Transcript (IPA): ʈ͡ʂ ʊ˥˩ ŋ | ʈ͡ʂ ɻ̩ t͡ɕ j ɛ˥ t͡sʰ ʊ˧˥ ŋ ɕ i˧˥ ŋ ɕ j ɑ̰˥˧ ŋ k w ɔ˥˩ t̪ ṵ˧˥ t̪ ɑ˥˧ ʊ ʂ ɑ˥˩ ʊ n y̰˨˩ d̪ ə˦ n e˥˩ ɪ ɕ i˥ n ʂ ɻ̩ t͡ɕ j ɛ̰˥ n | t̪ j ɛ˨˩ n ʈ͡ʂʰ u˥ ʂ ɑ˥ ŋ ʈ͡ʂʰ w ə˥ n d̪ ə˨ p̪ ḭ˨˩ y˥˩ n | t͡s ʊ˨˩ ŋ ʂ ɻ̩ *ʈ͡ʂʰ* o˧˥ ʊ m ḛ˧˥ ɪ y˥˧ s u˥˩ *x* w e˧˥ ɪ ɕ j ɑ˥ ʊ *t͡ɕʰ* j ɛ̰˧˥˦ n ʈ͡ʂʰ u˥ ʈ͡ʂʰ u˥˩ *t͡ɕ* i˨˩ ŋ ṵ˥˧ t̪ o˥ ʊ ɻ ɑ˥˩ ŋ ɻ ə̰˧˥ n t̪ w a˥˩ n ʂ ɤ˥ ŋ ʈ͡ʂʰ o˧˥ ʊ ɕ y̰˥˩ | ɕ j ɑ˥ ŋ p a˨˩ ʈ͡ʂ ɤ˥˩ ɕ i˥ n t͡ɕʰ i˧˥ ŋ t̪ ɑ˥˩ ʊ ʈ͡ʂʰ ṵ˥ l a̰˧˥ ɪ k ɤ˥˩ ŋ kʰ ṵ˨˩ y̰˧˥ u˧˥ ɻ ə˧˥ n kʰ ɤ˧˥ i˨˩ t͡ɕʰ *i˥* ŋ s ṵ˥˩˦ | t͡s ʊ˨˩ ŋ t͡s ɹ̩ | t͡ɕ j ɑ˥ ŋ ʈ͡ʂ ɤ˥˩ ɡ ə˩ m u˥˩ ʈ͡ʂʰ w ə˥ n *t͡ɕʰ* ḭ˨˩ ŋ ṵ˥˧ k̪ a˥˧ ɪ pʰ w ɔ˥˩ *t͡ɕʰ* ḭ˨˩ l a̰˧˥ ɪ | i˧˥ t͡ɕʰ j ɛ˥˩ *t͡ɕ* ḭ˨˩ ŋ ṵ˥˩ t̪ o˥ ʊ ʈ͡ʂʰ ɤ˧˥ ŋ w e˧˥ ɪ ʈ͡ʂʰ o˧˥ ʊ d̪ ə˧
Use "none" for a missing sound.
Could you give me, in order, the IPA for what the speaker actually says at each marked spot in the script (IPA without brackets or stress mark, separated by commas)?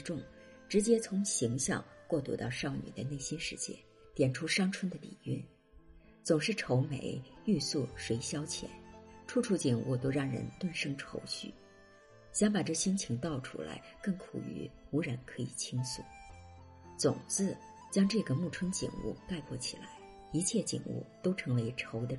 ʈ͡ʂʰ, ʂ, t͡ɕʰ, t͡ɕ, i˥, t͡ɕ, t͡ɕʰ, t͡ɕ